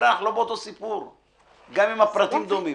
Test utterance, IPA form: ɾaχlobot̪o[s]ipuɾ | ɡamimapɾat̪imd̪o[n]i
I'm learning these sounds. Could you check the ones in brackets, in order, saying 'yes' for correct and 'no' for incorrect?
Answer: yes, no

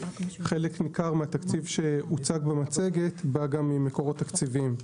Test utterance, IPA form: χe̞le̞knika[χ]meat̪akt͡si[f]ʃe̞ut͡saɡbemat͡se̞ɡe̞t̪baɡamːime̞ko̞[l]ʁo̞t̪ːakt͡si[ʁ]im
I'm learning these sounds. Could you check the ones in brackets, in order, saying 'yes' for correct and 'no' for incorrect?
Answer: no, no, no, no

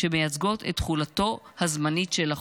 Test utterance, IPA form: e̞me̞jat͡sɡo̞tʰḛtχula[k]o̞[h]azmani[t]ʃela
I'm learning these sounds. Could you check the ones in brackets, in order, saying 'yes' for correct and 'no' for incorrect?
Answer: no, yes, yes

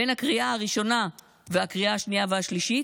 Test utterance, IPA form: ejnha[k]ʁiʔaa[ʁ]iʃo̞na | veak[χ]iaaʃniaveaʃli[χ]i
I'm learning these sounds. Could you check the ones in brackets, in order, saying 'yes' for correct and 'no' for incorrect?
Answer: yes, yes, no, no

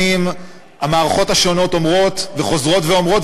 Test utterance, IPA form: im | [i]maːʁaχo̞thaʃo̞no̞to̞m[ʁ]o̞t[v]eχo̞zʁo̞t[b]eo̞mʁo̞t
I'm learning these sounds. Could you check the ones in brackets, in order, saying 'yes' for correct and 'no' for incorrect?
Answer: no, yes, yes, no

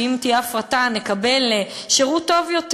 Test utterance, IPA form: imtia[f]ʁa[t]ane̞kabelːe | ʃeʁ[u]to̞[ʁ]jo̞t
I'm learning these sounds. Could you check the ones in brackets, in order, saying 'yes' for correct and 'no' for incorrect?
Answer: yes, yes, yes, no

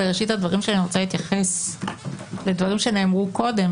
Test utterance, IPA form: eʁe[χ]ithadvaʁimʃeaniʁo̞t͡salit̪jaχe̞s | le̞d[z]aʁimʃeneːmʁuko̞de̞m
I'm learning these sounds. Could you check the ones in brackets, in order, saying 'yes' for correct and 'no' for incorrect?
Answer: no, no

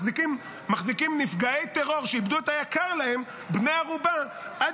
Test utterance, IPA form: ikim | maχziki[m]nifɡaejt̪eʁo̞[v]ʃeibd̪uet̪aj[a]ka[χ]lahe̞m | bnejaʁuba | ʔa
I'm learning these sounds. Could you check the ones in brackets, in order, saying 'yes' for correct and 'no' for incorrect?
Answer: yes, no, yes, no

